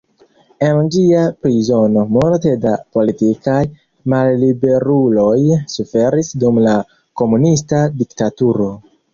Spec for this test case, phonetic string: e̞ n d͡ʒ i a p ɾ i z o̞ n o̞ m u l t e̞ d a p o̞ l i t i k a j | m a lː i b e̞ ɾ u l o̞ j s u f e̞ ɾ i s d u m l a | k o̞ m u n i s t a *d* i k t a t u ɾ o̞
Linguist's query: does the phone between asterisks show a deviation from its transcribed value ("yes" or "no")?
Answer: no